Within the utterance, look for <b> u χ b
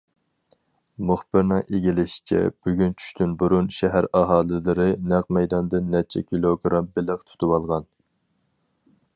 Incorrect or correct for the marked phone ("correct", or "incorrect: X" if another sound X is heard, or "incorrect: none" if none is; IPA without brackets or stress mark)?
incorrect: m